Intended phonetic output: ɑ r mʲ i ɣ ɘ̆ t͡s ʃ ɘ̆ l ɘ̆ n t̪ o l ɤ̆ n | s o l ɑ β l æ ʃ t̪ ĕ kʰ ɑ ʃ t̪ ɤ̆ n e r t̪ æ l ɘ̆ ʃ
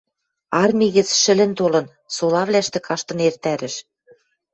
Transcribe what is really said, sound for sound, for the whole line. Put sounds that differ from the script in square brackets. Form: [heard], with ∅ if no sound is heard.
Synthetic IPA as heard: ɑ r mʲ i ɣ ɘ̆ t͡s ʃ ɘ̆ l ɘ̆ n t̪ o l ɤ̆ n | s o l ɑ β l æ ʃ t̪ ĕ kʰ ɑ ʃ t̪ ɤ̆ n e r t̪ æ [ɾ] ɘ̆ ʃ